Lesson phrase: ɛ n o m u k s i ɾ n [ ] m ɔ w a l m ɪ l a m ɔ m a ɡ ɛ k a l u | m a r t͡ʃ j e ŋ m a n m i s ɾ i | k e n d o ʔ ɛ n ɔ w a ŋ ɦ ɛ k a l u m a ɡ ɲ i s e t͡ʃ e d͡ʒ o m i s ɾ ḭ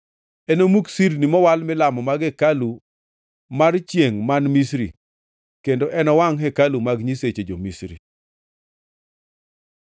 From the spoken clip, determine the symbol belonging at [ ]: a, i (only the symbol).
i